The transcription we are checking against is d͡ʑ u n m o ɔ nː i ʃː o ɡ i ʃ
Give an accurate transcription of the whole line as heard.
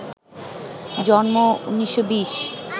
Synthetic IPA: d͡ʑ ɔ n m o u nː i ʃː o b i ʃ